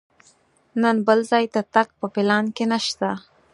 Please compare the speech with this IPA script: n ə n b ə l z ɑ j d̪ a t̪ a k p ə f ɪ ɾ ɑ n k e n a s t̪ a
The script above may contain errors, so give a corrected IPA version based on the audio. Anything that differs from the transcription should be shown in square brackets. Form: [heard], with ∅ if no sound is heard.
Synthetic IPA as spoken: n ə n b ə l z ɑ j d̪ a t̪ a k p ə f ɪ [l] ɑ n k e n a [ʃ] t̪ a